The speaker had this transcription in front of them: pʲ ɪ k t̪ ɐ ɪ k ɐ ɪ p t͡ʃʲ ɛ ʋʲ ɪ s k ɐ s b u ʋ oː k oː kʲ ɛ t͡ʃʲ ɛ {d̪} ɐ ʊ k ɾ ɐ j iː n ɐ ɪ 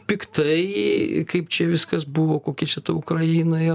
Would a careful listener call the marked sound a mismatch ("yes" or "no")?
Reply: yes